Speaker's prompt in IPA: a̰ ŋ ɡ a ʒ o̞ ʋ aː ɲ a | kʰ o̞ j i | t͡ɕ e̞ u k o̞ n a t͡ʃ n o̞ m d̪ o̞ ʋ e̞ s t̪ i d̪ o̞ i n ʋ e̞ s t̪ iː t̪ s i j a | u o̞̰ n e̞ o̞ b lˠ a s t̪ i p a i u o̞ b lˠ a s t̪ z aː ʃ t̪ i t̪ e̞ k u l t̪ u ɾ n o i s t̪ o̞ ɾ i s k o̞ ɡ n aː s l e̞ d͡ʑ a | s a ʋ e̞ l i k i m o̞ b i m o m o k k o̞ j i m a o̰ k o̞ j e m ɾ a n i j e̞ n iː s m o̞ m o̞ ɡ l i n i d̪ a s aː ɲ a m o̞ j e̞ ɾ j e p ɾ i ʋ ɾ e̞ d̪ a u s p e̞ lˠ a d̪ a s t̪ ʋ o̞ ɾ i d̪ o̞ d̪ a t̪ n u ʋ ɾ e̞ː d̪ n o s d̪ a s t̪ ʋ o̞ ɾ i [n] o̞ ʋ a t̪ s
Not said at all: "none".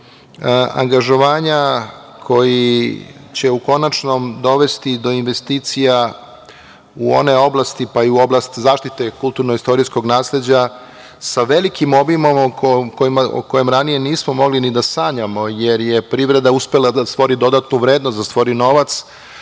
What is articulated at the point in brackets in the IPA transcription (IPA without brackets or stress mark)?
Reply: n